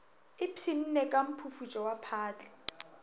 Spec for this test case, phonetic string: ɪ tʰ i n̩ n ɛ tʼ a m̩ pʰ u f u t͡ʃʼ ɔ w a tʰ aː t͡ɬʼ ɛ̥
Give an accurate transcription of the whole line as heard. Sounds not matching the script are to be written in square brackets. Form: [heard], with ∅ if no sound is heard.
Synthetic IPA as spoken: ɪ [pʰ] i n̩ n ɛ [kʼ] a m̩ pʰ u f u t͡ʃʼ ɔ w a [pʰ] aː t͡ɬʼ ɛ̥